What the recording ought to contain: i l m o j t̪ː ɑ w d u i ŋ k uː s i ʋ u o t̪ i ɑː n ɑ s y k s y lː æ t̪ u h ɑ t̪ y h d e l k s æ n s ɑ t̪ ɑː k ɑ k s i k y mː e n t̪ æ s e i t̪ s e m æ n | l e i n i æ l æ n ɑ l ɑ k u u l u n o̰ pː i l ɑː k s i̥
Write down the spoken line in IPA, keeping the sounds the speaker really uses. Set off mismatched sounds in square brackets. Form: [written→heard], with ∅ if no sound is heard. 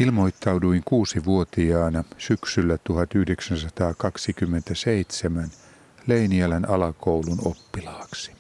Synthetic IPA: i l m o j t̪ː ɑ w d u i ŋ k uː s i ʋ u o t̪ i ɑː n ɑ s y k s y lː æ t̪ u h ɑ t̪ y h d e [l→∅] k s æ n s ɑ t̪ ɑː k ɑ k s i k y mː e n t̪ æ s e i t̪ s e m æ n | l e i n i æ l æ n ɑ l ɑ k [u→o] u l u n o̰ pː i l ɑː k s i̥